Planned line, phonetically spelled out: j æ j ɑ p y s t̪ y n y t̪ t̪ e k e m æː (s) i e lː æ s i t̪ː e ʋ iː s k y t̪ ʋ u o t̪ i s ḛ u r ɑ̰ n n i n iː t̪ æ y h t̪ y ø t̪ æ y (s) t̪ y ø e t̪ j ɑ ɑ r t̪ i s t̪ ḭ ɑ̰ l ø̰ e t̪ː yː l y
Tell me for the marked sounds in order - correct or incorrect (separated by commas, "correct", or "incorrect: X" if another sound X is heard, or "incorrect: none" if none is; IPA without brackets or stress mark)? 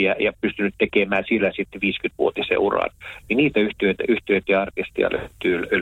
correct, incorrect: h